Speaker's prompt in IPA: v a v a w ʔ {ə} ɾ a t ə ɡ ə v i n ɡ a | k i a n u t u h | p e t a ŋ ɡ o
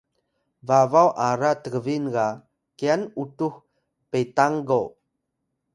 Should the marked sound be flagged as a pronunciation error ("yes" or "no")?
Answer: yes